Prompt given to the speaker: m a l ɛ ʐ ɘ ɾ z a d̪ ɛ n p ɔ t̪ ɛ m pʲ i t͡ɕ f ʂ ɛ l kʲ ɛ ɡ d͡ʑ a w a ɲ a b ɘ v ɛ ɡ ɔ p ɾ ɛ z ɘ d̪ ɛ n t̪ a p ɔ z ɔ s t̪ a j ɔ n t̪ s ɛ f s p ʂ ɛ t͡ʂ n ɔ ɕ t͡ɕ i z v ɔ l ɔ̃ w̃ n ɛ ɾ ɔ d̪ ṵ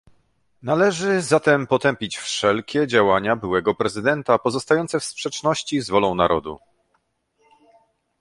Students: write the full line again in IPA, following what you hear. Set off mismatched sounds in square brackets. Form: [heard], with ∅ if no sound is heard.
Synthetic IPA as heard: [n] a l ɛ ʐ ɘ [∅] z a [t̪] ɛ [m] p ɔ t̪ ɛ m pʲ i t͡ɕ f ʂ ɛ l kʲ ɛ [∅] d͡ʑ a w a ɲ a b ɘ [w] ɛ ɡ ɔ p ɾ ɛ z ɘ d̪ ɛ n t̪ a p ɔ z ɔ s t̪ a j ɔ n t̪ s ɛ f s p ʂ ɛ t͡ʂ n ɔ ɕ t͡ɕ i z v ɔ l ɔ̃ w̃ n [a] ɾ ɔ d̪ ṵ